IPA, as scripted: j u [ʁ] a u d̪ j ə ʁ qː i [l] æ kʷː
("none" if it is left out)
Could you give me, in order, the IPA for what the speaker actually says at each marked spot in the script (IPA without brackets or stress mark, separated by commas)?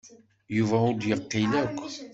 v, l